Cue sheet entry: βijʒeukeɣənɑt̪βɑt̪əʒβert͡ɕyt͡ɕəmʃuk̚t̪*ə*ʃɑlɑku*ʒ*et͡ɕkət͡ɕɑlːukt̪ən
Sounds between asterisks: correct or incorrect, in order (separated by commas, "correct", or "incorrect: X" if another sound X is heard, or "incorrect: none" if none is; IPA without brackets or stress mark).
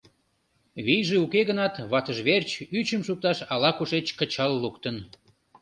incorrect: ɑ, incorrect: ʃ